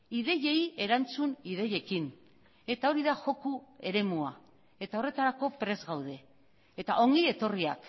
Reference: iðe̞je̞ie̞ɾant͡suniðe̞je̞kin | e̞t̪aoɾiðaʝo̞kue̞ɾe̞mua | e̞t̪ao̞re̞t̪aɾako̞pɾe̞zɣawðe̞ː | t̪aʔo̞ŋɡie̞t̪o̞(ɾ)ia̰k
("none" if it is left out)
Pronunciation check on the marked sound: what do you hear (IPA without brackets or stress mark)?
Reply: r